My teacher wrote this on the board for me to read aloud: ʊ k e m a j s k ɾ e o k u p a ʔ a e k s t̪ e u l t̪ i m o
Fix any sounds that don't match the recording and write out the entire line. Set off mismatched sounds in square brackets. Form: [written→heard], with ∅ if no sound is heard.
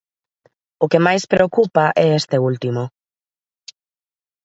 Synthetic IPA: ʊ k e m a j s [k→p] ɾ e o k u p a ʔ [a→ɛ] e [k→∅] s t̪ e u l t̪ i m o

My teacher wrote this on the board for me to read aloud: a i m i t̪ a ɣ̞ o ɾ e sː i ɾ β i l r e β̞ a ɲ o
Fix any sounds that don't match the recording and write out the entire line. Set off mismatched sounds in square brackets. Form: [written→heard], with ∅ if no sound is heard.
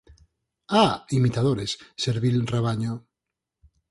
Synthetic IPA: a i m i t̪ a [ɣ̞→ð̞] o ɾ e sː [i→e] ɾ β i l r e β̞ a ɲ o

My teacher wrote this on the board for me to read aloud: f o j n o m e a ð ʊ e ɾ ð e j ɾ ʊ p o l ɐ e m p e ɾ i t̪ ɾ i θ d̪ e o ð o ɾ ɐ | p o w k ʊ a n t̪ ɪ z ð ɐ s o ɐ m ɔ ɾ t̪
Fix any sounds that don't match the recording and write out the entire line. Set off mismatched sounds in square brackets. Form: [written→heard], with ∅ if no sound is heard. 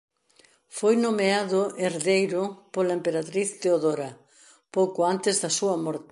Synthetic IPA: f o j n o m e a ð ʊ e ɾ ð e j ɾ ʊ p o l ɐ e m p e ɾ [i→a] t̪ ɾ i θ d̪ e o ð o ɾ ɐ | p o w k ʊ a n t̪ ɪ z ð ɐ s [o→u] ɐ m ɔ ɾ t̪

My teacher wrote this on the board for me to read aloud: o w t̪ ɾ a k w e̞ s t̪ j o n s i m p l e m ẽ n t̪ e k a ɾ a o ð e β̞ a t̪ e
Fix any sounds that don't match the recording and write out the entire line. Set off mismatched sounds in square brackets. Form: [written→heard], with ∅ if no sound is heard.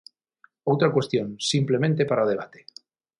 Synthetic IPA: o w t̪ ɾ a k w e̞ s t̪ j o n s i m p l e m ẽ n t̪ e [k→p] a ɾ a o ð e β̞ a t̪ e

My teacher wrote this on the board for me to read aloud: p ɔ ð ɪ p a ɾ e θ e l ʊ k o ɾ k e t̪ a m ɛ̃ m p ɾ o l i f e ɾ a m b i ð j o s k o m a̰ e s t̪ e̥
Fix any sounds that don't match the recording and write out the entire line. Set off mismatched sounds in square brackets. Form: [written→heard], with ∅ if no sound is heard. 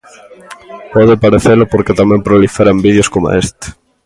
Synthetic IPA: p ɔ ð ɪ p a ɾ e θ e l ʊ [k→p] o ɾ k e t̪ a m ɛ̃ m p ɾ o l i f e ɾ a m b i ð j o s k o m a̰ e s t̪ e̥

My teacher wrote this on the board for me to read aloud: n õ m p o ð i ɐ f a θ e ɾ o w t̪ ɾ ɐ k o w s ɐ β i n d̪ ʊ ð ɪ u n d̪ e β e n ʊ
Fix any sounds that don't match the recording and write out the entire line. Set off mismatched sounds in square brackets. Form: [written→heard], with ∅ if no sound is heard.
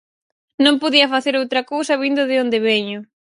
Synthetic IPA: n õ m p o ð i ɐ f a θ e ɾ o w t̪ ɾ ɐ k o w s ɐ β i n d̪ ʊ ð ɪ [u→o] n d̪ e β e [n→ɲ] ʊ

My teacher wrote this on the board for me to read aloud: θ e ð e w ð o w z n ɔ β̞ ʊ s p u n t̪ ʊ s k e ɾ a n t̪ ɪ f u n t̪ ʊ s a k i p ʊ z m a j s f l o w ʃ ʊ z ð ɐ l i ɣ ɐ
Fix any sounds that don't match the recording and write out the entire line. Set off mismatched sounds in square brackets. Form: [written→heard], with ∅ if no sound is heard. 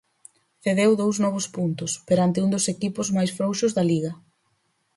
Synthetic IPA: θ e ð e w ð o w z n ɔ β̞ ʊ s p u n t̪ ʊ s [k→p] e ɾ a n t̪ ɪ [f→∅] u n [t̪→d̪] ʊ s [a→e] k i p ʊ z m a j s f [l→ɾ] o w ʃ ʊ z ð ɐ l i ɣ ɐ

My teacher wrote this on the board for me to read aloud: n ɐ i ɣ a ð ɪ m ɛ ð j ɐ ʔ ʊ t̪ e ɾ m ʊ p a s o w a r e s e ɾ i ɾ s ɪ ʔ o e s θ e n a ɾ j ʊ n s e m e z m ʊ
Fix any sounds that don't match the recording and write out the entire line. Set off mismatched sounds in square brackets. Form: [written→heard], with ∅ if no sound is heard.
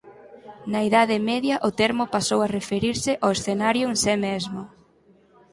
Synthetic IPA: n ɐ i [ɣ→ð] a ð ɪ m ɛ ð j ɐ ʔ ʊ t̪ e ɾ m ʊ p a s o w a r e [s→f] e ɾ i ɾ s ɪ ʔ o e s θ e n a ɾ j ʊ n s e m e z m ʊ

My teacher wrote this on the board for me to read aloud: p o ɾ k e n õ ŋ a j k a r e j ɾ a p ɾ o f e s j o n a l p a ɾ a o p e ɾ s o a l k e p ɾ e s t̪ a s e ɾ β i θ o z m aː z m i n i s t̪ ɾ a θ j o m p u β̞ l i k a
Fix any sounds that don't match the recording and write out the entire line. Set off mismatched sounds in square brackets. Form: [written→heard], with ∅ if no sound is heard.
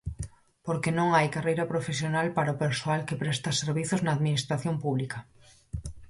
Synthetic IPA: p o ɾ k e n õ ŋ a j k a r e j ɾ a p ɾ o f e s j o n a l p a ɾ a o p e ɾ s o a l k e p ɾ e s t̪ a s e ɾ β i θ o z [m→n] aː [z→ð] m i n i s t̪ ɾ a θ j o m p u β̞ l i k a

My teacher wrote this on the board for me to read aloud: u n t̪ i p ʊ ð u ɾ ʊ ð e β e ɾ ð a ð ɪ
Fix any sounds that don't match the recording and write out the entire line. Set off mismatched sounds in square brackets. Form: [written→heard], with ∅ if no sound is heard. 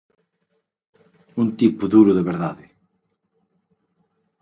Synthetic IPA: u n t̪ i p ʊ ð u ɾ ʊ ð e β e ɾ ð a ð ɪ

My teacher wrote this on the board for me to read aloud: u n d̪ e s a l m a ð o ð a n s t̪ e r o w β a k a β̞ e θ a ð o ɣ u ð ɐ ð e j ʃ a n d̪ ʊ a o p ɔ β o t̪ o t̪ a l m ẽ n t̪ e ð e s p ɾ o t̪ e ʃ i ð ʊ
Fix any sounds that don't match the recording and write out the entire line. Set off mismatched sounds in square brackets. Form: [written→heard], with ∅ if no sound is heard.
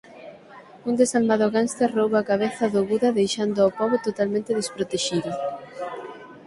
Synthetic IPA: u n d̪ e s a l m a ð o [ð→ɣ] a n s t̪ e r o w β a k a β̞ e θ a ð o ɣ u ð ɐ ð e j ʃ a n d̪ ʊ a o p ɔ β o t̪ o t̪ a l m ẽ n t̪ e ð e s p ɾ o t̪ e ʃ i ð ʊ

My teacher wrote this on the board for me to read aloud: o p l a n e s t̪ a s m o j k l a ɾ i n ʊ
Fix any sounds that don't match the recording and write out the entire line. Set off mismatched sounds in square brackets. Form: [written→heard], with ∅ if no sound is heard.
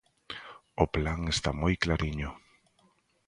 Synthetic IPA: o p l a [n→ŋ] e s t̪ a [s→∅] m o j k l a ɾ i [n→ɲ] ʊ

